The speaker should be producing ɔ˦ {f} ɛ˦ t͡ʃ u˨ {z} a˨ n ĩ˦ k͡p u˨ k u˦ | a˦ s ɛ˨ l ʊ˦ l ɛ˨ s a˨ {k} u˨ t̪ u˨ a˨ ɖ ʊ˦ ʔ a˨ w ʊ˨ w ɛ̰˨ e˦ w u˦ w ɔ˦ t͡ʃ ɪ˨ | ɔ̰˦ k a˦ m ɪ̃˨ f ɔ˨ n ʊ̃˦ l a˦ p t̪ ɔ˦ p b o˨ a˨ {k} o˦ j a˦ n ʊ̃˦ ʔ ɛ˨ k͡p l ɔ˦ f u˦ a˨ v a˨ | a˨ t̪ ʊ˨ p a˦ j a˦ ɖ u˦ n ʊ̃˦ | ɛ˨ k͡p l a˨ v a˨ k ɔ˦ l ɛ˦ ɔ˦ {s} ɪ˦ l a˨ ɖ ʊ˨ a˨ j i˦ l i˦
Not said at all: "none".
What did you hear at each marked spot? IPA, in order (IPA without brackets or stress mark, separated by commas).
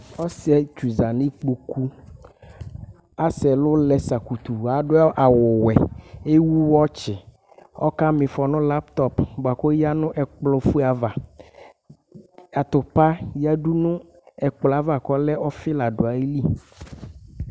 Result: s, z, k, k, f